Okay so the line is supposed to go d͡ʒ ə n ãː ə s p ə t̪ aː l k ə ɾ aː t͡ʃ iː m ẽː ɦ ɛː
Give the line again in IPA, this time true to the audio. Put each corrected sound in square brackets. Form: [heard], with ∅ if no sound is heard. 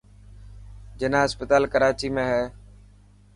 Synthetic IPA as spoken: d͡ʒ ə n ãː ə s p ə t̪ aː l k ə ɾ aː t͡ʃ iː m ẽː ɦ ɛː